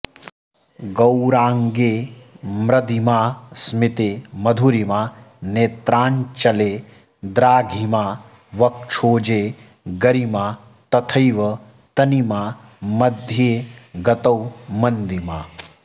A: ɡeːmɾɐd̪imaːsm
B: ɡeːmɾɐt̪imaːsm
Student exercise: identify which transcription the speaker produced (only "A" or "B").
A